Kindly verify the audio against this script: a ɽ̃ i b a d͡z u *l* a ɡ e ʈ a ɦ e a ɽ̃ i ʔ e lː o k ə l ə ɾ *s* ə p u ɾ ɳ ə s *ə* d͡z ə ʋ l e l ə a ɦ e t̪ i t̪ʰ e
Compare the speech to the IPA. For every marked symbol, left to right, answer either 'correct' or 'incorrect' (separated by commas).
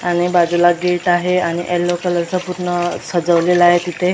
correct, correct, correct